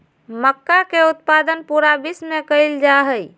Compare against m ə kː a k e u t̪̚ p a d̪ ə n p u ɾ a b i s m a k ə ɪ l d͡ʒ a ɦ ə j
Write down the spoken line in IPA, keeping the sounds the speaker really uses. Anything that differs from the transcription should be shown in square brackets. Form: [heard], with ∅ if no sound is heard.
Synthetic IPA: m ə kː a k e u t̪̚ p a d̪ ə n p u ɾ a b i s m [e] k ə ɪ l d͡ʒ a ɦ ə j